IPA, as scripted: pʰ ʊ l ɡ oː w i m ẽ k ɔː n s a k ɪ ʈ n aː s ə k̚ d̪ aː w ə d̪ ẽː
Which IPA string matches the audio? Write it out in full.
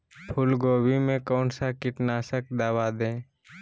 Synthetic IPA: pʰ ʊ l ɡ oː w i m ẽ k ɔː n s a k ɪ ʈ n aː s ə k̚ d̪ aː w a d̪ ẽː